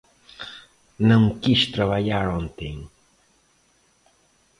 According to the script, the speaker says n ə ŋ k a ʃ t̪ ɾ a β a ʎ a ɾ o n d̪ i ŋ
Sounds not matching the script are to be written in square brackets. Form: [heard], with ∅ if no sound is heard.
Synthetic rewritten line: n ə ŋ k [i] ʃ t̪ ɾ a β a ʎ a ɾ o n [t̪] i ŋ